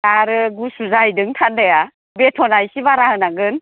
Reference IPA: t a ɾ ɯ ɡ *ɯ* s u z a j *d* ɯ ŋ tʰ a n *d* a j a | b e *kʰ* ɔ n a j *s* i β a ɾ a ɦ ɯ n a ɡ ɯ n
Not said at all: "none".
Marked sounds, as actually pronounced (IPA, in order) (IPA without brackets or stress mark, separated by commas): u, d, d, tʰ, s